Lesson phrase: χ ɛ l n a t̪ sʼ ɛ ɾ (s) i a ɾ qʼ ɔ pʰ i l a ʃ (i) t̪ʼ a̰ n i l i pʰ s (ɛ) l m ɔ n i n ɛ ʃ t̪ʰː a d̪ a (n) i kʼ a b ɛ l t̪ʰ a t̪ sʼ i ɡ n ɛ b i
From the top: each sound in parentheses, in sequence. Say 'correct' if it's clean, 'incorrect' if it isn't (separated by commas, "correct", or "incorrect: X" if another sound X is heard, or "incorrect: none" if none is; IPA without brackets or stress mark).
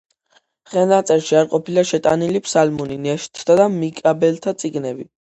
incorrect: ʃ, incorrect: ɛ, incorrect: a, incorrect: m